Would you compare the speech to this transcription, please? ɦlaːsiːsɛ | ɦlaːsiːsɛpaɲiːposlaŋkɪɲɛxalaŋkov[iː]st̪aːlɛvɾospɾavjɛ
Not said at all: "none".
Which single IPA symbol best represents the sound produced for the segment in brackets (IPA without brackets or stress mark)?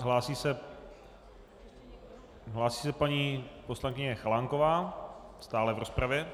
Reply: aː